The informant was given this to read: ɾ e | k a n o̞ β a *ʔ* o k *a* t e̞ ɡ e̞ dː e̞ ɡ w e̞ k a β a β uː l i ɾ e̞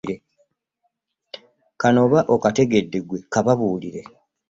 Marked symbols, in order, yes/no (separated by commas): yes, yes